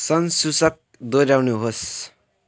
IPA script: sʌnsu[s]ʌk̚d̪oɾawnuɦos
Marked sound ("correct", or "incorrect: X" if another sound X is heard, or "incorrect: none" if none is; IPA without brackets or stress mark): correct